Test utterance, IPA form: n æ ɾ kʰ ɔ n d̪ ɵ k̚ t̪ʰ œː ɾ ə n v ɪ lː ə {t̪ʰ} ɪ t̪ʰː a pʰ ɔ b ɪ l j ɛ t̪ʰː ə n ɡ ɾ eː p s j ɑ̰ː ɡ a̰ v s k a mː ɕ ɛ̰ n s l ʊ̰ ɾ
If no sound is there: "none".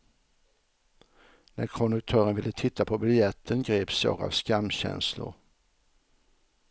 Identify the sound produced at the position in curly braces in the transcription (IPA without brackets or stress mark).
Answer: t̪ʰ